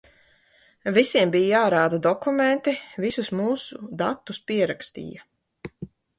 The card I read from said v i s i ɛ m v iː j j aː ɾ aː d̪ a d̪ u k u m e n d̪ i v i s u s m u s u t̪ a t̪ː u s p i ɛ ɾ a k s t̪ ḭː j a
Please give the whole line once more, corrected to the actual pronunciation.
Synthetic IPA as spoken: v i s i ɛ m b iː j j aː ɾ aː d̪ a d̪ ɔ k u m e n t̪ i v i s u s m uː s u d̪ a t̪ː u s p i ɛ ɾ a k s t̪ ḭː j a